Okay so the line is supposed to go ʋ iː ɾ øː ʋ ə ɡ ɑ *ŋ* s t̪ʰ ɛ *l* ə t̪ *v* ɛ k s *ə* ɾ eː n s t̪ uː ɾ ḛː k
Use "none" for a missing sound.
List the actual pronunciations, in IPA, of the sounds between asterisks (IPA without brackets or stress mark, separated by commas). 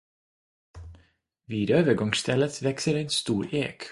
ŋ, l, ʋ, ə